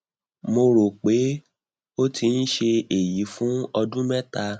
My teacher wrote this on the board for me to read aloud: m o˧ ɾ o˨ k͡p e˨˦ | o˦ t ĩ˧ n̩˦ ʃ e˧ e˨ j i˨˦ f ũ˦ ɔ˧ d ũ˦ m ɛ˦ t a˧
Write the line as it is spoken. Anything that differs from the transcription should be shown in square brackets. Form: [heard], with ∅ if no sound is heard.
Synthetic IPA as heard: m o˧ ɾ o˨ k͡p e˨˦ | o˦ t [i˧] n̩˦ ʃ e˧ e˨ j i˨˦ f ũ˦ ɔ˧ d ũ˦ m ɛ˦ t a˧